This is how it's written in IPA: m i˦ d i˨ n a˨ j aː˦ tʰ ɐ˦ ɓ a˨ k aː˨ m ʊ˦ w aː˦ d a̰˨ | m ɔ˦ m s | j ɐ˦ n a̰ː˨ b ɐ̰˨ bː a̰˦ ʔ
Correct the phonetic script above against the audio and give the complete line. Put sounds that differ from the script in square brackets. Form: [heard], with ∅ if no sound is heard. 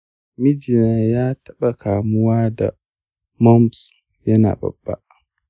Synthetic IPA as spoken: m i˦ [d͡ʒ] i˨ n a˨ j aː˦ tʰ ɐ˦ ɓ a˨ k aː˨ m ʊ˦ w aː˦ d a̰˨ | m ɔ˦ m s | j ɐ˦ n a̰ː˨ b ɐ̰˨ bː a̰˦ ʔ